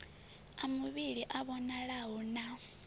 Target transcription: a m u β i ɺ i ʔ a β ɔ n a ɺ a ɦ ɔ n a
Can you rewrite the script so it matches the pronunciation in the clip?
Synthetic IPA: a m u β i ɺ i ʔ a β ɔ n a ɺ a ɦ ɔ n a